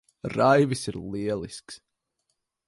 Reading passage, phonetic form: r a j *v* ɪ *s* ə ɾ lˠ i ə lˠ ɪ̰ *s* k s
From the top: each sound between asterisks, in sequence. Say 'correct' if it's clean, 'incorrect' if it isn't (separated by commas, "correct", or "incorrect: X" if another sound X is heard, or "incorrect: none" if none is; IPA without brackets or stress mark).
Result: correct, correct, correct